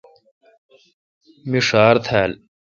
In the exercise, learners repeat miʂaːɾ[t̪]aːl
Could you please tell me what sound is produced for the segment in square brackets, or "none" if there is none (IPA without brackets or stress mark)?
t̪ʰ